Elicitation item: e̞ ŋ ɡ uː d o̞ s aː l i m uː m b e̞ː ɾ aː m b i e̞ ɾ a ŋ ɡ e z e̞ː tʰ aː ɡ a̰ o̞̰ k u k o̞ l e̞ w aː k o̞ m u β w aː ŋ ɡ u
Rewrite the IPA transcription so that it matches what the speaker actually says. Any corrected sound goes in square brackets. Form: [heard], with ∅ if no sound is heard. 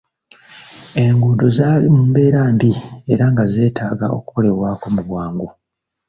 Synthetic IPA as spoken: e̞ ŋ ɡ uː d o̞ [z] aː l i m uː m b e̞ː ɾ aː m b i e̞ ɾ a ŋ ɡ [a] z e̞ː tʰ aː ɡ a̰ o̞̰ k u k o̞ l e̞ w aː k o̞ m u β w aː ŋ ɡ u